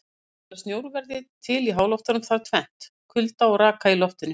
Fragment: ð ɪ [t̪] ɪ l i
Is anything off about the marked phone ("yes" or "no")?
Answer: yes